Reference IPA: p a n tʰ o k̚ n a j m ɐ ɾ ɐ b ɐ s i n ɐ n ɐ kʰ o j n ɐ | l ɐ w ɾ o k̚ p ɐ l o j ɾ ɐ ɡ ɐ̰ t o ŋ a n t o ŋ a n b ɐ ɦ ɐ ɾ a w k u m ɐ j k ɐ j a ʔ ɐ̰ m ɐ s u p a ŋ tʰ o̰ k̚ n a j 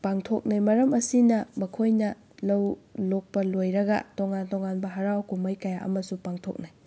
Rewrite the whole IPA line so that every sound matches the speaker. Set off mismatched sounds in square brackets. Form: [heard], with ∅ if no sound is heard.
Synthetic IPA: p a [ŋ] tʰ o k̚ n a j m ɐ ɾ ɐ [m] ɐ s i n ɐ [m] ɐ kʰ o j n ɐ | l ɐ w [l] o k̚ p ɐ l o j ɾ ɐ ɡ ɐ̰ t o ŋ a n t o ŋ a n b ɐ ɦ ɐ ɾ a w k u m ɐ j k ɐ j a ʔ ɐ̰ m ɐ s u p a ŋ tʰ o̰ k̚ n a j